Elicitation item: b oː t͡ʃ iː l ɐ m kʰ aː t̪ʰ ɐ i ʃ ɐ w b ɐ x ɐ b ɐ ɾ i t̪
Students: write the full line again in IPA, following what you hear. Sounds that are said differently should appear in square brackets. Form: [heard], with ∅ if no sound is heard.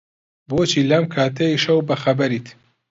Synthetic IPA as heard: b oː t͡ʃ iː l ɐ m kʰ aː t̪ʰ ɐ i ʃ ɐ w b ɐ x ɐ b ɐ ɾ i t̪

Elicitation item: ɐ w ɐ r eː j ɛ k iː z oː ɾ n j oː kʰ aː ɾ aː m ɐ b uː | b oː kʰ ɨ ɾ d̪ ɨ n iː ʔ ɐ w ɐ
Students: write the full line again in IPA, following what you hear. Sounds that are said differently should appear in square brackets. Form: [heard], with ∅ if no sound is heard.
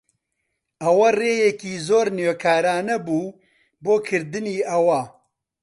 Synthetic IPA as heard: ɐ w ɐ r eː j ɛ k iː z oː ɾ n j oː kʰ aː ɾ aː [n] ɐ b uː | b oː kʰ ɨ ɾ d̪ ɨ n iː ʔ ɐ w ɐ

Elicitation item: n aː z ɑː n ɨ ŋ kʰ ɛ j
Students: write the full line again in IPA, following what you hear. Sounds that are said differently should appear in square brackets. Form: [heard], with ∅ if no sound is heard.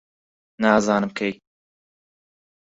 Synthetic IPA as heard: n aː z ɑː n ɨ [m] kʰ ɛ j

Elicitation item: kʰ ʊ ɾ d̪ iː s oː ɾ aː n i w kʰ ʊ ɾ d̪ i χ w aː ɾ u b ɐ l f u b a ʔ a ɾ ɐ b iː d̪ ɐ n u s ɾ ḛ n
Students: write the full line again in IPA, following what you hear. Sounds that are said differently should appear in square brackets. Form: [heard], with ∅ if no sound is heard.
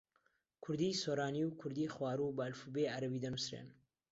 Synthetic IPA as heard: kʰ ʊ ɾ d̪ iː s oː ɾ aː n i w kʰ ʊ ɾ d̪ i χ w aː ɾ u b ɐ l f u b [e] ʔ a ɾ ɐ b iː d̪ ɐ n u s ɾ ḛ n

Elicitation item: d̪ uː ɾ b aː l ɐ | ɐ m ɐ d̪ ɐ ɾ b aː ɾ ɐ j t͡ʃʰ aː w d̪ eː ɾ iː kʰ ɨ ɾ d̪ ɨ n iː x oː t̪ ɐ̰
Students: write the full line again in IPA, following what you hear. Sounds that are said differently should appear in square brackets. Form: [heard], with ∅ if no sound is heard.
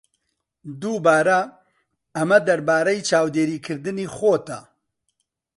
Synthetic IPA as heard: d̪ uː [∅] b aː [ɾ] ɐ | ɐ m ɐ d̪ ɐ ɾ b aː ɾ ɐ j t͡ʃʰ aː w d̪ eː ɾ iː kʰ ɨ ɾ d̪ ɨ n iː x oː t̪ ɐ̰

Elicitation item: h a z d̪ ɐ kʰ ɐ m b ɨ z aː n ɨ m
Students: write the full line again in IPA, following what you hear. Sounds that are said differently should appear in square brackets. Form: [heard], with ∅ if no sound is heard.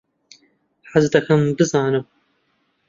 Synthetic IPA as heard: [ħ] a z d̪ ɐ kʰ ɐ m b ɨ z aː n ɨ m

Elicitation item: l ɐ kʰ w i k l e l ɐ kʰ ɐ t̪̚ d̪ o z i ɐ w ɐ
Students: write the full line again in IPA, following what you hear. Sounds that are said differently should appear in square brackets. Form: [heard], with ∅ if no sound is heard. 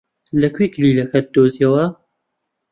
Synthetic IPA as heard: l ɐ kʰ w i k l [i] l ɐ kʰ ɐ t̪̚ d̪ o z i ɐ w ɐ

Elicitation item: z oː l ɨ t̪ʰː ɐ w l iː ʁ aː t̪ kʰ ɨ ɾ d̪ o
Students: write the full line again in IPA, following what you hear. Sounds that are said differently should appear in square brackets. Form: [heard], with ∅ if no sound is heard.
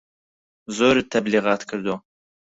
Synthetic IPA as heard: z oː [ɾ] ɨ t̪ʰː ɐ [b] l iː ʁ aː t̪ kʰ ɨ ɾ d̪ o

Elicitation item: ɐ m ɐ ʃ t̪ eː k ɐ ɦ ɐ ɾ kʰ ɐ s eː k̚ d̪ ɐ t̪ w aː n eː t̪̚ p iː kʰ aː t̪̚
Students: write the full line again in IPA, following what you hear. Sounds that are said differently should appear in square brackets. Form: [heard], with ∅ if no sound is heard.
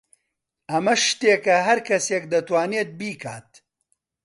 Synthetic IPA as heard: ɐ m ɐ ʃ t̪ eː k ɐ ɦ ɐ ɾ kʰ ɐ s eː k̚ d̪ ɐ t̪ w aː n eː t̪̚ [b] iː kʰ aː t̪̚

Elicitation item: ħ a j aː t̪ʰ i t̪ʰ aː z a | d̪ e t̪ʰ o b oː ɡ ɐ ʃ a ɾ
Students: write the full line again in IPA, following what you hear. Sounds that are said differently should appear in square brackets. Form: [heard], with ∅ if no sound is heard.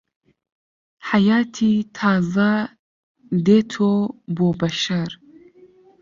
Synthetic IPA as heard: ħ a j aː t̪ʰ i t̪ʰ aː z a | d̪ e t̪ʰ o b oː [b] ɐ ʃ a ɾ

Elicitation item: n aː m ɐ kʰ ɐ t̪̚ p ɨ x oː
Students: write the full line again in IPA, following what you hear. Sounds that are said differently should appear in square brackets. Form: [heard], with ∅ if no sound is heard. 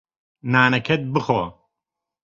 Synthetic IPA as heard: n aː [n] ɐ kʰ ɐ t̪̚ [b] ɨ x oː

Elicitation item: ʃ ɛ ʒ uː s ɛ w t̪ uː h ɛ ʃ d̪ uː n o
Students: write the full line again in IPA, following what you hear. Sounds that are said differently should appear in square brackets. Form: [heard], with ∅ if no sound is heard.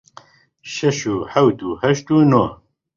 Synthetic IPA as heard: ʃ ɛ [ʃ] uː [ħ] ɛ w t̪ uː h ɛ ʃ [t̪] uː n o

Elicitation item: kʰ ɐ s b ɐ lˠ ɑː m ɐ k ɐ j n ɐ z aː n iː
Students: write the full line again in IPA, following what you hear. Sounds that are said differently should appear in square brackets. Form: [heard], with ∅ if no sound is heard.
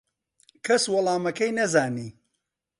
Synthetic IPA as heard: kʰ ɐ s [w] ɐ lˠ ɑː m ɐ k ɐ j n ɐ z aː n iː

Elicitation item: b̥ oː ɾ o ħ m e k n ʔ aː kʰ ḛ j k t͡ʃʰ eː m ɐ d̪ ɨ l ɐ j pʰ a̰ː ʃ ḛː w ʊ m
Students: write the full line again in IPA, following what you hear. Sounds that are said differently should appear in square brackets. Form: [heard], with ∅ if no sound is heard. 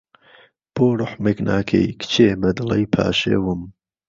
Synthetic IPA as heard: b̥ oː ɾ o ħ m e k n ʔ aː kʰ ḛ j k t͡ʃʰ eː m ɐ d̪ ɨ l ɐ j pʰ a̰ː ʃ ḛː w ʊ m

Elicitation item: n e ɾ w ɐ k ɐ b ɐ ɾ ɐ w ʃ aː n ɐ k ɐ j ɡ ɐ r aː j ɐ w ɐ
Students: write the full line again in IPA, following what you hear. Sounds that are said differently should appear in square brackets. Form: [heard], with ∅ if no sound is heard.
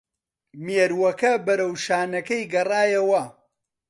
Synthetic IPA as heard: [m] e ɾ w ɐ k ɐ b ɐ ɾ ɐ w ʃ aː n ɐ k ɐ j ɡ ɐ r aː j ɐ w ɐ

